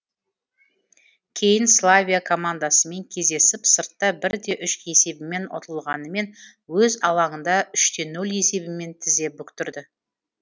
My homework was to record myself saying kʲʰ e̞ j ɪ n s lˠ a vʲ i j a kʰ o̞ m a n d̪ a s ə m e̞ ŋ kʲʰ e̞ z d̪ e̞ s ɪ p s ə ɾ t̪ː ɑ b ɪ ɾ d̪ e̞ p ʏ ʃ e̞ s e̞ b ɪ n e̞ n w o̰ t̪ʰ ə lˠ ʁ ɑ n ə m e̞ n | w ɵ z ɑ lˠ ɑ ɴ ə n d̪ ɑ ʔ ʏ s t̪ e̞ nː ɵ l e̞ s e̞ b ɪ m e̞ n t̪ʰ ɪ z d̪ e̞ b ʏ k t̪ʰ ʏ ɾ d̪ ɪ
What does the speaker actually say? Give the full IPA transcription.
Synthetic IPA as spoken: kʲʰ e̞ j ɪ n s lˠ a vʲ i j a kʰ o̞ m a n d̪ a s ə m e̞ ŋ kʲʰ e̞ z d̪ e̞ s ɪ p s ə ɾ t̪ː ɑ b ɪ ɾ d̪ e̞ ʔ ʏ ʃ e̞ s e̞ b ɪ m e̞ n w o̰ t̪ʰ ə lˠ ʁ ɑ n ə m e̞ n | w ɵ z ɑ lˠ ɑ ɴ ə n d̪ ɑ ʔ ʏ ʃ t̪ e̞ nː ɵ l e̞ s e̞ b ɪ m e̞ n t̪ʰ ɪ z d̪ e̞ b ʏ k t̪ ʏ ɾ d̪ ɪ